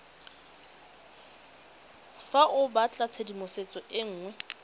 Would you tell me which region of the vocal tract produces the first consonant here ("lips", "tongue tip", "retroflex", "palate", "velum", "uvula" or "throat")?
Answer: lips